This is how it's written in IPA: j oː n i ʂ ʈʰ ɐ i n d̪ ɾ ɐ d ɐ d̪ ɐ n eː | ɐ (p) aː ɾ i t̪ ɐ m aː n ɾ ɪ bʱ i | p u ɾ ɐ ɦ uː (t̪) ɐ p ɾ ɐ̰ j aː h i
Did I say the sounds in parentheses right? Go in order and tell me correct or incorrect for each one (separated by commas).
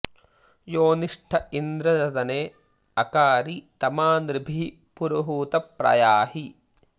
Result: incorrect, correct